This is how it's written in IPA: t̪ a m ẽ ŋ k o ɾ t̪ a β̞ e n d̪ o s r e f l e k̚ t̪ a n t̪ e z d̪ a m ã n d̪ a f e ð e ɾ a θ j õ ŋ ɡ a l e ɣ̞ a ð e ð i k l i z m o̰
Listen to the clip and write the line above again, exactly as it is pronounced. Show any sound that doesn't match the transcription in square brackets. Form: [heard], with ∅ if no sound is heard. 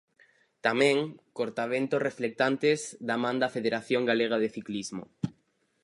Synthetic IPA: t̪ a m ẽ ŋ k o ɾ t̪ a β̞ e n [t̪] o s r e f l e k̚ t̪ a n t̪ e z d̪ a m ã n d̪ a f e ð e ɾ a θ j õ ŋ ɡ a l e ɣ̞ a ð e [θ] i k l i z m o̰